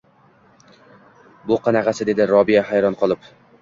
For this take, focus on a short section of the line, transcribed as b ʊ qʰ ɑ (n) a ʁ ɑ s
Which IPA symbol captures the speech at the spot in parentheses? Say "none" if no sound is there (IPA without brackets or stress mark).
n